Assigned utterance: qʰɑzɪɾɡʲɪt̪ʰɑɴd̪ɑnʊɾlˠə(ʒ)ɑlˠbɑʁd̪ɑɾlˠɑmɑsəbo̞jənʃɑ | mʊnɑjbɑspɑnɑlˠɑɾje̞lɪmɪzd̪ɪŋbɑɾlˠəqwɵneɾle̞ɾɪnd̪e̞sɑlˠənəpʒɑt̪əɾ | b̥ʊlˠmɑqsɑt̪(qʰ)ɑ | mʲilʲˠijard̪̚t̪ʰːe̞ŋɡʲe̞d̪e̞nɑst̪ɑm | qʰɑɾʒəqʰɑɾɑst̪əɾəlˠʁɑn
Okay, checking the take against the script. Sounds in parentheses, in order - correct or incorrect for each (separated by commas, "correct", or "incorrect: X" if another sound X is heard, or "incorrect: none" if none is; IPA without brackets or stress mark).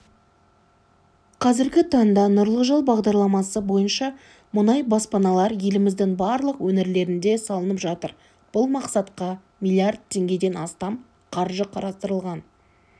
correct, incorrect: q